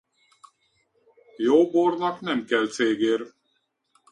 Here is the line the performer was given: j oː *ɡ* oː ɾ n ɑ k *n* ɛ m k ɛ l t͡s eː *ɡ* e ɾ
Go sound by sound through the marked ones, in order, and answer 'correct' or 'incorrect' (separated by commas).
incorrect, correct, correct